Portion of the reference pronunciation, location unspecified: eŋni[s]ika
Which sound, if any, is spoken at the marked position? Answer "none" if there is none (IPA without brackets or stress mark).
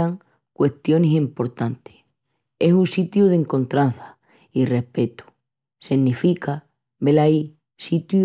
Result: f